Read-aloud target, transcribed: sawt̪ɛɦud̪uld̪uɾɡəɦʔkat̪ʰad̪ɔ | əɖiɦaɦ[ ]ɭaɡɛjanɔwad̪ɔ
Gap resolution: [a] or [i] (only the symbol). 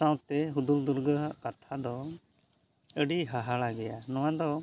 a